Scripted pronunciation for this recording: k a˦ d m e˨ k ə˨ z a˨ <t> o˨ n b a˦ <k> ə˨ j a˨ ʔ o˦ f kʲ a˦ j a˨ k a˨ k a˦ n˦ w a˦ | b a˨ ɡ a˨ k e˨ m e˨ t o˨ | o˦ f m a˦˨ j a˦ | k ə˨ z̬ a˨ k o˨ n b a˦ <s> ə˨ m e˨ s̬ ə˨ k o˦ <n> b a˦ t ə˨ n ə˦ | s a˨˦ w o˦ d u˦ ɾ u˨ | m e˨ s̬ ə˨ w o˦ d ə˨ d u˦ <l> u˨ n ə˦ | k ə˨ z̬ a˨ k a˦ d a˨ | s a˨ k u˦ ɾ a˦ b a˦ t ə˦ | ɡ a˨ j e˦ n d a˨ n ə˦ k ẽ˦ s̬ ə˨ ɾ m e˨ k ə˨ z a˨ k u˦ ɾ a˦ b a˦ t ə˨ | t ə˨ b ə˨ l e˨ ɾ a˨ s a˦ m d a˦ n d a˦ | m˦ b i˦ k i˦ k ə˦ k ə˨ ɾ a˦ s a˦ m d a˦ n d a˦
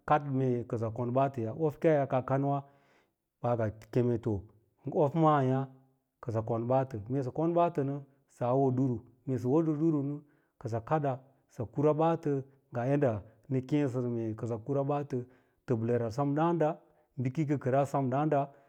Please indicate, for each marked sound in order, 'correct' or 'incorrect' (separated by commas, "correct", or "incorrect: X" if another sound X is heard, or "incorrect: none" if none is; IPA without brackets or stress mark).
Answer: incorrect: k, incorrect: t, incorrect: t, correct, incorrect: ɾ